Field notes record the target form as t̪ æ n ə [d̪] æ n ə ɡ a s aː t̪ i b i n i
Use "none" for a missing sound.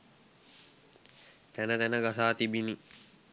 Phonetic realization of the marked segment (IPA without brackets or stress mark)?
t̪